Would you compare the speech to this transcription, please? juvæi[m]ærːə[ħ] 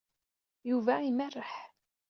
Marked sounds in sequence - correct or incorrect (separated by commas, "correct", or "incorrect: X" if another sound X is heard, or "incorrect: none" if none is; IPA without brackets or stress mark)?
correct, correct